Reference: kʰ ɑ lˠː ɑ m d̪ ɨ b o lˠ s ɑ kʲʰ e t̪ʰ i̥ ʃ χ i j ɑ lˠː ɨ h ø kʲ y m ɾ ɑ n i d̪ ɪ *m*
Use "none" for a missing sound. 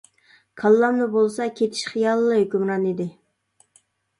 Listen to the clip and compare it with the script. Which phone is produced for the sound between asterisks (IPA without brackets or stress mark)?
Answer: none